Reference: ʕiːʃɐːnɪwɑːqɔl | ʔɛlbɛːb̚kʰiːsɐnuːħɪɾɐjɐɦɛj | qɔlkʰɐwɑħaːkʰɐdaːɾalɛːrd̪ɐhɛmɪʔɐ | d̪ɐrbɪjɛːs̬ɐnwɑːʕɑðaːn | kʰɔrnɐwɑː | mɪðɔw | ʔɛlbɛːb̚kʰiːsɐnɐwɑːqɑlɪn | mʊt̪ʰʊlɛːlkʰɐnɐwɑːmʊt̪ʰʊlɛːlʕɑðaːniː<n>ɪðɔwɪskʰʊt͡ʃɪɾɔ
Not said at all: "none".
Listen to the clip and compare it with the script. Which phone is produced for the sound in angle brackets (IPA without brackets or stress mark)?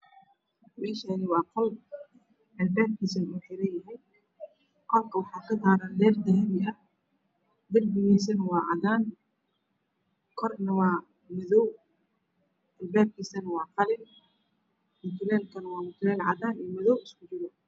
m